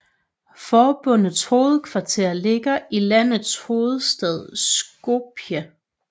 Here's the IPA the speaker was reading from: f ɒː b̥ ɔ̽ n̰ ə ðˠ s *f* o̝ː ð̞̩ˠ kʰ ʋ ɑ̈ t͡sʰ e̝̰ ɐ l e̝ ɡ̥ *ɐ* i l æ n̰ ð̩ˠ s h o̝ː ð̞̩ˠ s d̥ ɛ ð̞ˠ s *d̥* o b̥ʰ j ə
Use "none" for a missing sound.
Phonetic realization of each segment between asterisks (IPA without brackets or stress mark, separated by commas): h, ɐ, ɡ̥